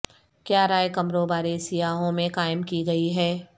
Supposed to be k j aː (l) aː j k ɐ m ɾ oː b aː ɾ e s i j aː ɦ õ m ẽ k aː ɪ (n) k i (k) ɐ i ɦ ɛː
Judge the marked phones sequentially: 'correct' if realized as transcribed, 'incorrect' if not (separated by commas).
incorrect, incorrect, incorrect